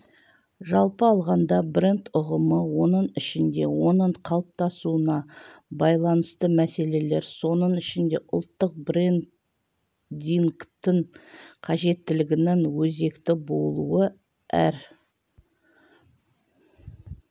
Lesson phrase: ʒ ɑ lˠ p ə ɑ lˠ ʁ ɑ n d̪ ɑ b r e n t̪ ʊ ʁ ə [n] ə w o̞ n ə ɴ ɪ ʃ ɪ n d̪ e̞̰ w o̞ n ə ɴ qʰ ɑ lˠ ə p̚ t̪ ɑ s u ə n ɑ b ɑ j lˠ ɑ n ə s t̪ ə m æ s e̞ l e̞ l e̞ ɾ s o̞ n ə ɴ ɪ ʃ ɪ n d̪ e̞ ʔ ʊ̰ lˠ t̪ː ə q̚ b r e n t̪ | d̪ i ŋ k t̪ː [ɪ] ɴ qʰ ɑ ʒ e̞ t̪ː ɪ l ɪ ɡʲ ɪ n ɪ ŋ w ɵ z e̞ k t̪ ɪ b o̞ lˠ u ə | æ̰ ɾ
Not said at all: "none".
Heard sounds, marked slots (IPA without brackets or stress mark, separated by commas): m, ɪ